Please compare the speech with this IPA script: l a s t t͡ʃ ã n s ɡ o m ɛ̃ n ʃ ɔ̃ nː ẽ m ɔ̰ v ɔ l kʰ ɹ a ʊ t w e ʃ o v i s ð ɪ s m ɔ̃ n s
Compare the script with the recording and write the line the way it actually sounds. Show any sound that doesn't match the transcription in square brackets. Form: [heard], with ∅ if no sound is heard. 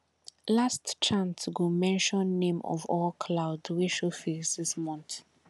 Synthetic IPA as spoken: l a s t t͡ʃ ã n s ɡ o m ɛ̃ n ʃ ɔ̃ nː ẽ m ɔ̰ v ɔ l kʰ [l] a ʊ [d] w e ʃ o [f] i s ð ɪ s m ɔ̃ n [θ]